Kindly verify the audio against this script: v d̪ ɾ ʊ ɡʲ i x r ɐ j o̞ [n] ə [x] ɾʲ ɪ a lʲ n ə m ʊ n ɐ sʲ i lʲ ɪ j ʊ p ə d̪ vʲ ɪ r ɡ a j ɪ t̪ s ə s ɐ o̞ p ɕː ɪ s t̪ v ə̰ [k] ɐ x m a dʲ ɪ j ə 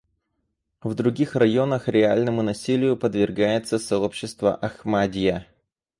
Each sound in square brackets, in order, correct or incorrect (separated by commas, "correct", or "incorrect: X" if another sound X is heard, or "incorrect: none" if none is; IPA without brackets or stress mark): correct, correct, incorrect: ʔ